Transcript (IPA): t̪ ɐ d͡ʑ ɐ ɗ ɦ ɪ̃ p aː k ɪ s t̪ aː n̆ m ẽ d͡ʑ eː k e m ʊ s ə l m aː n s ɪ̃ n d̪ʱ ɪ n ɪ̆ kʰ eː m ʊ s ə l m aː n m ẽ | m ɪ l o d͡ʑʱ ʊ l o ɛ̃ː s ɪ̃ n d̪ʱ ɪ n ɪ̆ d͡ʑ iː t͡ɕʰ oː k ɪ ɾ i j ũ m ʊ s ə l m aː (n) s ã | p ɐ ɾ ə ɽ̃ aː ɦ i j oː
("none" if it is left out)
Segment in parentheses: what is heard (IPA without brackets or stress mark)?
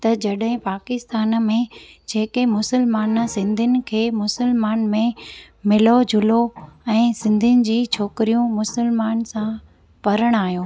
n